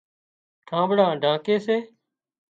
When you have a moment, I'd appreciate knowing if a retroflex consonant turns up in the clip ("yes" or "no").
yes